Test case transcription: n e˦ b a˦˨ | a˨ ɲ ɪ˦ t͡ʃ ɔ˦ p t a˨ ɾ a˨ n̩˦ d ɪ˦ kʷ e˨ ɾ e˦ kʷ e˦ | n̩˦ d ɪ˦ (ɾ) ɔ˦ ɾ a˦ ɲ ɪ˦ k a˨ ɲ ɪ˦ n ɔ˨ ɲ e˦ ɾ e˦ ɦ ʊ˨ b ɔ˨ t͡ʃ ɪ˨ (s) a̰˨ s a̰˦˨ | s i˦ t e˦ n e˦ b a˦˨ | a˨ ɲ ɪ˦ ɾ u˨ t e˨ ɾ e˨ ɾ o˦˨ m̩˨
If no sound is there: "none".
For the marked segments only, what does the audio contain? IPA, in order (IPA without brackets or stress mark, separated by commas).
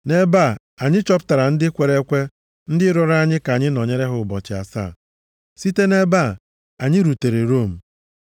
ɾ, none